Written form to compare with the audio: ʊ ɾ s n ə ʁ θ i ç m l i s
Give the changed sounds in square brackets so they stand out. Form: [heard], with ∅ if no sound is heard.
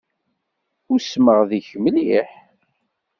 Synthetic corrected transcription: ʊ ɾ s [m] ə ʁ [ð] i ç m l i [ħ]